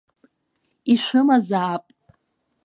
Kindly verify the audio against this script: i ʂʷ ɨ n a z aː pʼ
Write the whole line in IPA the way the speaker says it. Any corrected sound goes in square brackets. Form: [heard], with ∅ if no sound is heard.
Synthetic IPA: i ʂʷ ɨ [m] a z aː pʼ

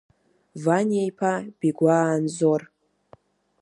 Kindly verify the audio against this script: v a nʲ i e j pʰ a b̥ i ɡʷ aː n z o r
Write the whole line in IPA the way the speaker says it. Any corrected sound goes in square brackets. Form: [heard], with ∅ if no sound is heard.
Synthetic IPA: v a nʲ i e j pʰ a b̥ i ɡʷ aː n z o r

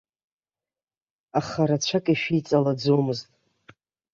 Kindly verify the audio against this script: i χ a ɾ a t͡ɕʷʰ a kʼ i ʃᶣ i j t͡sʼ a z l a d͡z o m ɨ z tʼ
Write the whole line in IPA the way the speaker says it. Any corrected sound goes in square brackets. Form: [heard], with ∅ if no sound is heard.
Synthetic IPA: [a] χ a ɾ a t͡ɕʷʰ a kʼ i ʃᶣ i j t͡sʼ a [∅] l a d͡z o m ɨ z tʼ

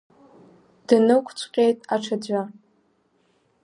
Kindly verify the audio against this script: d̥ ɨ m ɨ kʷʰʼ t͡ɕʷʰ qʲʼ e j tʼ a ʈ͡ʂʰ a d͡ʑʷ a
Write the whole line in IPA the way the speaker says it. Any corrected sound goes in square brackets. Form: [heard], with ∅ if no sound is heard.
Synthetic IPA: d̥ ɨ [n] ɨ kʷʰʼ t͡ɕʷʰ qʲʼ e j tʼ a ʈ͡ʂʰ a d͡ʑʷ a

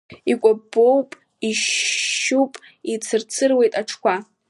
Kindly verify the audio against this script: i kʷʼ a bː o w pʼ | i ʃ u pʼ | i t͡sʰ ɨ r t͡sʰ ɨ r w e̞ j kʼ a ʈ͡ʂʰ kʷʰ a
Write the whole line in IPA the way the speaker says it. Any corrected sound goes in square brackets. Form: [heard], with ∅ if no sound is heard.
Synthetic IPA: i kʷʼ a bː o w pʼ | i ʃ u pʼ | i t͡sʰ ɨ r t͡sʰ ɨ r w e̞ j [tʼ] a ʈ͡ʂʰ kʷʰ a

